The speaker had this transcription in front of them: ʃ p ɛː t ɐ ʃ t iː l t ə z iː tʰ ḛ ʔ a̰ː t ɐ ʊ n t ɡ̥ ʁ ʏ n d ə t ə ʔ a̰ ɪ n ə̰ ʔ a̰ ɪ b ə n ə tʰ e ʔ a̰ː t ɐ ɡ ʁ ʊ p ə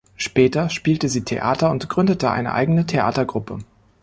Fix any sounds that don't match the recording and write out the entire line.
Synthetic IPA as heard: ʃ p ɛː t ɐ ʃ p iː l t ə z iː tʰ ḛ ʔ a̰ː t ɐ ʊ n t ɡ̥ ʁ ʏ n d ə t ə ʔ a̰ ɪ n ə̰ ʔ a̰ ɪ ɡ ə n ə tʰ e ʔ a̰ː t ɐ ɡ ʁ ʊ p ə